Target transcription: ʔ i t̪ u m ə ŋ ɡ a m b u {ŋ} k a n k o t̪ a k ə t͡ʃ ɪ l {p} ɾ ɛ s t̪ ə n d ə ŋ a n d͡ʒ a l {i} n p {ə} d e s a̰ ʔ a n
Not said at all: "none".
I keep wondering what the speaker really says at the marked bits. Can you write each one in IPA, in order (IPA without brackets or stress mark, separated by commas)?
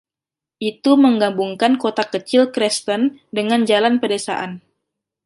ŋ, k, a, ə